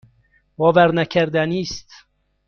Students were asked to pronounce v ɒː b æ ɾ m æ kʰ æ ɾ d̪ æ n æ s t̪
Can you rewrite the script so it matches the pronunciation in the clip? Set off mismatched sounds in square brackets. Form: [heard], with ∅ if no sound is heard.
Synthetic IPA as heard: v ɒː [v] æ ɾ [n] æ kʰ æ ɾ d̪ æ n [i] s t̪